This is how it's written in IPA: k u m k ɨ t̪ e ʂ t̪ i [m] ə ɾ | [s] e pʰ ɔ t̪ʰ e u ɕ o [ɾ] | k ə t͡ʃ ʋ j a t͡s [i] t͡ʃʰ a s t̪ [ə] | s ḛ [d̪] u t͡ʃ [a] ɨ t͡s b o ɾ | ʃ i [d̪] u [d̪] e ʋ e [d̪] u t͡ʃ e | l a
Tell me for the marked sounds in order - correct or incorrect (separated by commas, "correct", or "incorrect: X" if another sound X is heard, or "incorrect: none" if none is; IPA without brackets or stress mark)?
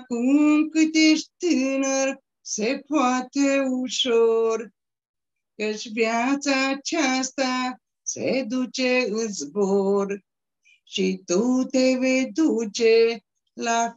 incorrect: n, correct, correct, incorrect: a, incorrect: a, correct, incorrect: e, incorrect: t̪, incorrect: t̪, correct